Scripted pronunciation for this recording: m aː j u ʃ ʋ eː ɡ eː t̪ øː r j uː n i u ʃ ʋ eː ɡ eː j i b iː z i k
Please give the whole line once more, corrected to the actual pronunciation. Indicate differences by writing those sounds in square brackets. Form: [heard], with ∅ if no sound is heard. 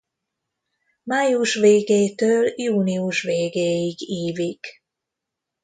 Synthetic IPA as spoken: m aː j u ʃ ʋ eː ɡ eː t̪ øː [l] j uː n i u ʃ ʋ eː ɡ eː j i [ɡ] iː [v] i k